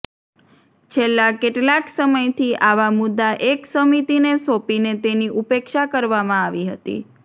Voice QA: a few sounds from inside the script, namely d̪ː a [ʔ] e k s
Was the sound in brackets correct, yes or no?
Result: yes